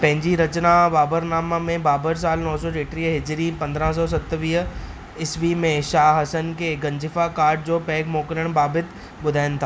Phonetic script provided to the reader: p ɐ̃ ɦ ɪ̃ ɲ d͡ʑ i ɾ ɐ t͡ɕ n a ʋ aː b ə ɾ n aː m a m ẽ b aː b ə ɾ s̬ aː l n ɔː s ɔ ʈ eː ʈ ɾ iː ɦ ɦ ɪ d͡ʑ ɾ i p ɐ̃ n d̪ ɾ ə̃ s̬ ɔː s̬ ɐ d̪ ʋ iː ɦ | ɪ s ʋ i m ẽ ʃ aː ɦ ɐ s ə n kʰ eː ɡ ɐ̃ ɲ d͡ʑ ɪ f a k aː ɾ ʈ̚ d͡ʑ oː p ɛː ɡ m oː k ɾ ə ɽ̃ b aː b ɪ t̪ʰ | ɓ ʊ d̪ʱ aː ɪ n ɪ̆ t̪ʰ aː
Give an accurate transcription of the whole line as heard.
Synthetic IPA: p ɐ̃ ɦ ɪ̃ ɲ d͡ʑ i ɾ ɐ t͡ɕ n a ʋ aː b ə ɾ n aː m a m ẽ b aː b ə ɾ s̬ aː l n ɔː s ɔ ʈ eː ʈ ɾ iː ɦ ɦ ɪ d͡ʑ ɾ i p ɐ̃ n d̪ ɾ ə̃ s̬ ɔː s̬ ɐ t̪ ʋ iː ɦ | ɪ s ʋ i m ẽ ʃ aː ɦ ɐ s ə n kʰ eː ɡ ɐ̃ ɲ d͡ʑ ɪ f a k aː ɾ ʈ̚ d͡ʑ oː p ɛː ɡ m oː k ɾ ə ɽ̃ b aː b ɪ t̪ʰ | ɓ ʊ d̪ʱ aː ɪ n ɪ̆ t̪ʰ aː